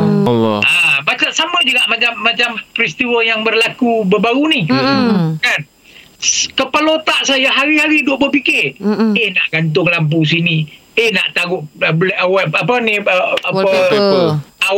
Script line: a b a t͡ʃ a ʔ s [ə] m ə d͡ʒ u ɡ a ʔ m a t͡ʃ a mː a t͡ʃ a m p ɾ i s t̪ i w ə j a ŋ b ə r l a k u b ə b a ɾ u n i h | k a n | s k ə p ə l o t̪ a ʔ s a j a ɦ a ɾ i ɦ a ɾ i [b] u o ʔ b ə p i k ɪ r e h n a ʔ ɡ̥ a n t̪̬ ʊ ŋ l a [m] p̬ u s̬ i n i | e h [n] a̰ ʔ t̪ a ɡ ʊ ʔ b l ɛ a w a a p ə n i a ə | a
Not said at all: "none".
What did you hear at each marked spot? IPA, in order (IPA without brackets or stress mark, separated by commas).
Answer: a, d, m, n